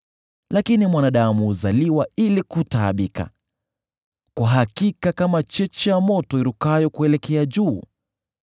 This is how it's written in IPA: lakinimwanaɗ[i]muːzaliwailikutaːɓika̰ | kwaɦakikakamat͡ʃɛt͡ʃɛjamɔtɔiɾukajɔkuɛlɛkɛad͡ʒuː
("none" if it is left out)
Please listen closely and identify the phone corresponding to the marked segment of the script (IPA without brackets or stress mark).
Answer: a